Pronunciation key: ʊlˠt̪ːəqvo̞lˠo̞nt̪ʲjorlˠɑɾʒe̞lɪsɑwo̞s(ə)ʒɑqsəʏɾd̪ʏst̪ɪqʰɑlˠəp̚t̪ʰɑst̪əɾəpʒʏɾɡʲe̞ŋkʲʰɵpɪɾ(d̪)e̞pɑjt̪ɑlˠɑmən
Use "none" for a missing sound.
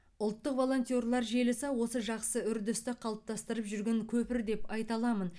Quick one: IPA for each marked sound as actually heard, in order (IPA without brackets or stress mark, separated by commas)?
ə, d̪